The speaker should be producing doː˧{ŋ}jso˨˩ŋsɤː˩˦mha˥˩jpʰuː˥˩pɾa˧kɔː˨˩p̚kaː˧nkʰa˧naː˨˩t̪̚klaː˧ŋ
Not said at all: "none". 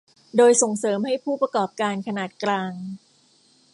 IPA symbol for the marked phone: none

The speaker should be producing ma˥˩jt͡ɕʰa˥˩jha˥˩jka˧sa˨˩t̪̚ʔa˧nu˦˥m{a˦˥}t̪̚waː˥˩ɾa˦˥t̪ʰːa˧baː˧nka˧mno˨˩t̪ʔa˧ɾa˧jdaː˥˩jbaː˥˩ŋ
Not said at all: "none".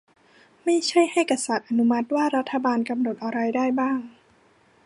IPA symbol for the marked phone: a˦˥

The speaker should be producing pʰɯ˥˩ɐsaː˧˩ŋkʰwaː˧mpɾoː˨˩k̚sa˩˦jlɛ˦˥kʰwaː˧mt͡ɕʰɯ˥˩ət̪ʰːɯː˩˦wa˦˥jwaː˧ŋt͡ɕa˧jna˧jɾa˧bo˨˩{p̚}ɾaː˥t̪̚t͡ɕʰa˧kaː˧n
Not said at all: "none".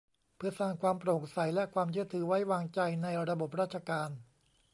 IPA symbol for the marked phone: p̚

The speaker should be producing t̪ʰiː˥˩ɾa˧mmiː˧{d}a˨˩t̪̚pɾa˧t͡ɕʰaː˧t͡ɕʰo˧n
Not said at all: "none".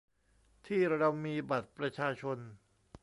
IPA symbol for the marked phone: b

